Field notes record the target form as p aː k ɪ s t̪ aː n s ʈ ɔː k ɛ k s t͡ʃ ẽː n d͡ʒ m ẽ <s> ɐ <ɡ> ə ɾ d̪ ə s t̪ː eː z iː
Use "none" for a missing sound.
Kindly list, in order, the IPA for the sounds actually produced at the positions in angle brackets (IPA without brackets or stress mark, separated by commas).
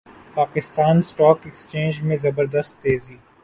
z, b